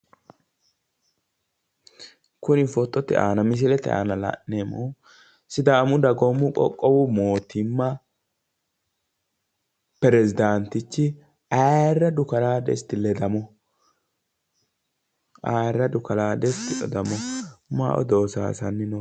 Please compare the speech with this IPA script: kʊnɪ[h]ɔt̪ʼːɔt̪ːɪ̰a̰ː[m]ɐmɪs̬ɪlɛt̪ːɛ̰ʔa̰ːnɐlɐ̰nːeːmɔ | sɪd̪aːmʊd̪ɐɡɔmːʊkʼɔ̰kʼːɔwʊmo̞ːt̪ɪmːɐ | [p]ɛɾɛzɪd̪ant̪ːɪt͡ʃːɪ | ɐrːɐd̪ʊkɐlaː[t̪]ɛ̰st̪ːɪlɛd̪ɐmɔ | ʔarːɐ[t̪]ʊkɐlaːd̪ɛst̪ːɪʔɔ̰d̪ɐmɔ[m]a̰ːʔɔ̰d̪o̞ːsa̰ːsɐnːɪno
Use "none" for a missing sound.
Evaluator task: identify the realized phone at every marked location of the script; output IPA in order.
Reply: f, n, p, d̪, d̪, m

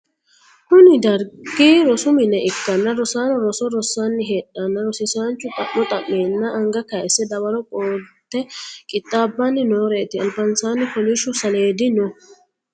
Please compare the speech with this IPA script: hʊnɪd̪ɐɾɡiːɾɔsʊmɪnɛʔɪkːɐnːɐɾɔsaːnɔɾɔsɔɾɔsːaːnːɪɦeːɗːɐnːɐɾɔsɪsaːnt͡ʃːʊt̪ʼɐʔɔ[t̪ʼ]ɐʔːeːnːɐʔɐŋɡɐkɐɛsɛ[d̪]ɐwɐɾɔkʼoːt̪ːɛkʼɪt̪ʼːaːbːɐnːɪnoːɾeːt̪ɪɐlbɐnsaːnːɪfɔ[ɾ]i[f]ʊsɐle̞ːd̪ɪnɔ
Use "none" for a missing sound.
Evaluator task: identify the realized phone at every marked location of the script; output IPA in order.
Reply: t̪ʼ, d̪, l, ʃ

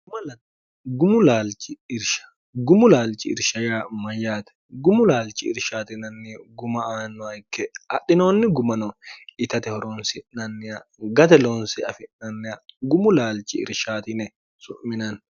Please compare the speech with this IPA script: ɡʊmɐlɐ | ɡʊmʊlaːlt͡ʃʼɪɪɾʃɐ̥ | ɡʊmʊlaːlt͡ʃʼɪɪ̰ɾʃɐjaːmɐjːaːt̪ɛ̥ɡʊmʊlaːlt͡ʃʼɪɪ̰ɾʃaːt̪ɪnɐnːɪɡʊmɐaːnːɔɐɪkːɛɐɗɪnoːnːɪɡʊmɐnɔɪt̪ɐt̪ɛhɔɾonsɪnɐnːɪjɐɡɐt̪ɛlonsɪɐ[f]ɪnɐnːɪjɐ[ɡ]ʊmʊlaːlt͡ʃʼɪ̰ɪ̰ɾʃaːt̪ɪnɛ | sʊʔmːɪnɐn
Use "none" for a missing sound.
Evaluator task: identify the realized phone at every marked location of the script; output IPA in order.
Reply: f, ɡ

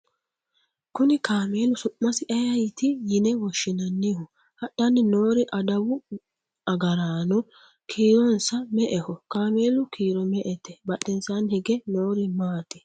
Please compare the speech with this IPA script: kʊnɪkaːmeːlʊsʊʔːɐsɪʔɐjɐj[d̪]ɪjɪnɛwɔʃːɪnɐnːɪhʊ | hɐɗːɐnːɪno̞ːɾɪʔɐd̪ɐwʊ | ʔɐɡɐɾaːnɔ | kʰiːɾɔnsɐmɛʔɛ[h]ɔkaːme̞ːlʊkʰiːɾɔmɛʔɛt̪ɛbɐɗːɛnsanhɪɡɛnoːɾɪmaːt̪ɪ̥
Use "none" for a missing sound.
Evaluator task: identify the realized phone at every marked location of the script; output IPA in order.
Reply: t̪, h

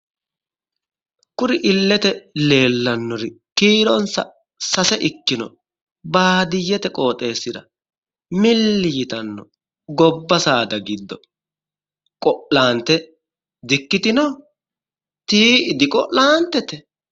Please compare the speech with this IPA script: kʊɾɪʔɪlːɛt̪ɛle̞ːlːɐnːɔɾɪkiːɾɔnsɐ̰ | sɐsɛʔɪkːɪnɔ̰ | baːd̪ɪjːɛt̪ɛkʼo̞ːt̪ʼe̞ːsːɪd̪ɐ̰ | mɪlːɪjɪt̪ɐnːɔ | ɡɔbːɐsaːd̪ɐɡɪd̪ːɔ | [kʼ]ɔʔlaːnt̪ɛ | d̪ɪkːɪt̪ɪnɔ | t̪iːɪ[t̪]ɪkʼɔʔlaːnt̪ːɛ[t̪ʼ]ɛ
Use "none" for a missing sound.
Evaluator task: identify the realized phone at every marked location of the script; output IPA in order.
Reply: kʼ, d̪, t̪

